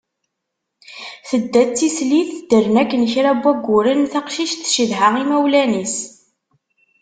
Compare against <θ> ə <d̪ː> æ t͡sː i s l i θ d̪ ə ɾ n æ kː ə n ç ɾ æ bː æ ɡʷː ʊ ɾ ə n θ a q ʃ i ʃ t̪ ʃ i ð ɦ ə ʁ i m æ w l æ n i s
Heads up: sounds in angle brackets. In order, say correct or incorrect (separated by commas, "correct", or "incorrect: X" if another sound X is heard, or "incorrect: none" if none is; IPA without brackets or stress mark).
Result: correct, correct